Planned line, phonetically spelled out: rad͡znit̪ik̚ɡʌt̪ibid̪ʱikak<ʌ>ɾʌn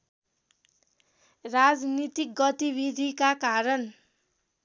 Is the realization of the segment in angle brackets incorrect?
yes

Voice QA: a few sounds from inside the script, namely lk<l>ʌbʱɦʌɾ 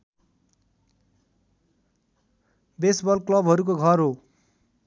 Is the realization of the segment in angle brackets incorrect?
no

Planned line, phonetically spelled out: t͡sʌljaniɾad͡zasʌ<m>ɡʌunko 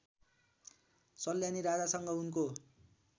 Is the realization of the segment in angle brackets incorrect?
yes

